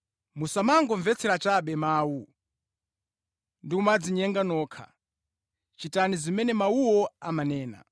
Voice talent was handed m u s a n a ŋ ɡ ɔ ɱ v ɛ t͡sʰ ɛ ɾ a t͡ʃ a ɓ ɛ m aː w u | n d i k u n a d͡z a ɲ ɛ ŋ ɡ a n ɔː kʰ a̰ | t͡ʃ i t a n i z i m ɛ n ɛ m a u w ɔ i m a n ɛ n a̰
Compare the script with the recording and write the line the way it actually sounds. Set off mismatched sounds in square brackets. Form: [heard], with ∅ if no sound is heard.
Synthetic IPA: m u s a [m] a ŋ ɡ ɔ ɱ v ɛ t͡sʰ ɛ ɾ a t͡ʃ a ɓ ɛ m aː w u | n d i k u [m] a d͡z [i] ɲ ɛ ŋ ɡ a n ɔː kʰ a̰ | t͡ʃ i t a n i z i m ɛ n ɛ m a u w ɔ [a] m a n [ɛː] n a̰